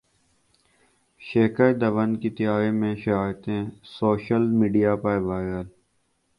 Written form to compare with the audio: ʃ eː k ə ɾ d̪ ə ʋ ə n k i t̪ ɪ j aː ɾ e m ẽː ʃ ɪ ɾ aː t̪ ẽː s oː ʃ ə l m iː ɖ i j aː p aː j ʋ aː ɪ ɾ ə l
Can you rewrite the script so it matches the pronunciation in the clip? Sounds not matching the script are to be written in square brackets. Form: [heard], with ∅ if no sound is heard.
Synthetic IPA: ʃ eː k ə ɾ d̪ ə ʋ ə n k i t̪ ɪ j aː ɾ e m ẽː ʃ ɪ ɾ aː t̪ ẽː s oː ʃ ə l m iː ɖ i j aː p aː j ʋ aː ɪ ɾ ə l